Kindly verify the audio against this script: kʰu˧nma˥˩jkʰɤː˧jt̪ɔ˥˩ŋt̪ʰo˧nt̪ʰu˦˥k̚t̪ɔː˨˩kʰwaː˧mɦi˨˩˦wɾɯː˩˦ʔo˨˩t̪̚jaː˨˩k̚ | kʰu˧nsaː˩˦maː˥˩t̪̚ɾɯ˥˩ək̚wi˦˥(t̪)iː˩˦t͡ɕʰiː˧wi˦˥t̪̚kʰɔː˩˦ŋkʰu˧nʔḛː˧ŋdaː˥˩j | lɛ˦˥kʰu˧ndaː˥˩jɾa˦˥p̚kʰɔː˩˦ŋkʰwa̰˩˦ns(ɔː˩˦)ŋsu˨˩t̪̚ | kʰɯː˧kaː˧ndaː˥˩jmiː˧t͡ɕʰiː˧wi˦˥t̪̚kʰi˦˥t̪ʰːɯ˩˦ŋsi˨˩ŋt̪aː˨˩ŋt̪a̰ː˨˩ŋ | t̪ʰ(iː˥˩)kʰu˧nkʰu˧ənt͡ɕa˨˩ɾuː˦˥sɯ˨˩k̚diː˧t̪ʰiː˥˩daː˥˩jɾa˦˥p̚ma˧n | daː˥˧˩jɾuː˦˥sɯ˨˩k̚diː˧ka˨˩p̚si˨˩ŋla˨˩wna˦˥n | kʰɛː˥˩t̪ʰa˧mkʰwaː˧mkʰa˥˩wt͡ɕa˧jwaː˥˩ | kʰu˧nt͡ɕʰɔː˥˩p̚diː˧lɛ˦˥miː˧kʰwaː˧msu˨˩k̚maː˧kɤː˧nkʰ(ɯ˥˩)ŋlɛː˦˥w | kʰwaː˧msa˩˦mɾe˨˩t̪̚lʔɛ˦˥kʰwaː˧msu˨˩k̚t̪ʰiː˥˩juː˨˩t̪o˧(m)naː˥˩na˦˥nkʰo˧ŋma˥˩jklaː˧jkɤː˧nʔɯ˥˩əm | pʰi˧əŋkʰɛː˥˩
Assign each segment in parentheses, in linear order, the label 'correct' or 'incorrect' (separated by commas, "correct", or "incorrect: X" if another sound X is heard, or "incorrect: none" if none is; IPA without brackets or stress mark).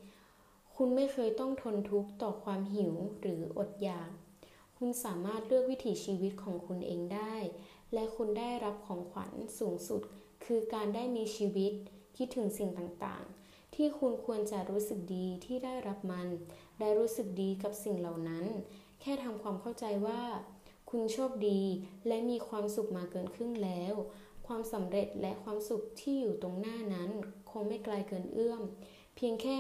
incorrect: t̪ʰ, incorrect: uː˩˦, correct, correct, incorrect: ŋ